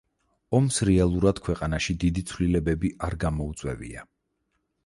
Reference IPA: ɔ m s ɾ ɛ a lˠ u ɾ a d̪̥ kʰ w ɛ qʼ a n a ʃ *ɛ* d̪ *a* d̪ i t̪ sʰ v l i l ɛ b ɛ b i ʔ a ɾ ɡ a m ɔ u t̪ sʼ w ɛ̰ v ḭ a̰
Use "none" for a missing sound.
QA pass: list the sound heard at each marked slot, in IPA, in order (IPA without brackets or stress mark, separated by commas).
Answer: i, i